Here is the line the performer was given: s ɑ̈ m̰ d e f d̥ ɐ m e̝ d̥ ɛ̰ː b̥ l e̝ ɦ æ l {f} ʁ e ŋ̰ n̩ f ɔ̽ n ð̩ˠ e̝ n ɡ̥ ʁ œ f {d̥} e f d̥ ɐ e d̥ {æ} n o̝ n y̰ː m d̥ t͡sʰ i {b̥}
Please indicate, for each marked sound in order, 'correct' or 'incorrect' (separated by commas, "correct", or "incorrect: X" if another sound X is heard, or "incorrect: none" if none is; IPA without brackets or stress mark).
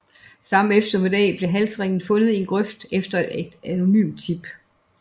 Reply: incorrect: s, correct, correct, correct